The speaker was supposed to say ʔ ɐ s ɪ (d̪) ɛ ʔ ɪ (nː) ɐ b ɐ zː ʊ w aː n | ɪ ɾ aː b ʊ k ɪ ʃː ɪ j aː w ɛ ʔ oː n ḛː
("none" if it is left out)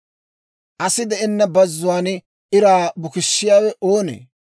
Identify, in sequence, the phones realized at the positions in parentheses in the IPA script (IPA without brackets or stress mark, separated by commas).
d̪, nː